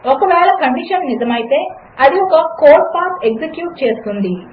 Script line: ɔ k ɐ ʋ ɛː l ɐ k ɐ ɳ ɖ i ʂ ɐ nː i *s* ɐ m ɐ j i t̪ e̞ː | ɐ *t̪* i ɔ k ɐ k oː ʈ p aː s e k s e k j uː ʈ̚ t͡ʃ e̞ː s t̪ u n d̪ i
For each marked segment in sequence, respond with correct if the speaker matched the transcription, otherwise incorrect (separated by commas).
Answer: incorrect, incorrect